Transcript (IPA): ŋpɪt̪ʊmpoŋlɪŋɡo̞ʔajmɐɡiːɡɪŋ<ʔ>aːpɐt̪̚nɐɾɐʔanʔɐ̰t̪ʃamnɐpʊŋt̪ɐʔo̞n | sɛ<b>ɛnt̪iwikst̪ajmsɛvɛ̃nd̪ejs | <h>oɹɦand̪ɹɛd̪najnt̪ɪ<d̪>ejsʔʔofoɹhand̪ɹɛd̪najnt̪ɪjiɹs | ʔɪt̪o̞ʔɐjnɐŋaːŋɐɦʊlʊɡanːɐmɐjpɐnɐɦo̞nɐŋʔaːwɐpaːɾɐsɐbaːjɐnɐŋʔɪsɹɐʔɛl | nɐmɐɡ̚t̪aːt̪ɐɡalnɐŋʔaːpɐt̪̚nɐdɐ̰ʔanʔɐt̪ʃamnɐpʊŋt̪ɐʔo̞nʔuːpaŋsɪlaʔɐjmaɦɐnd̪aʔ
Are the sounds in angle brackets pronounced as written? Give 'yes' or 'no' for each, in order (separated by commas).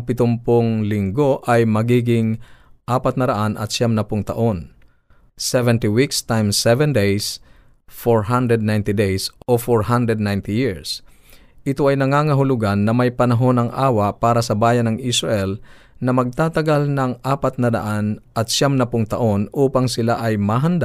yes, no, no, yes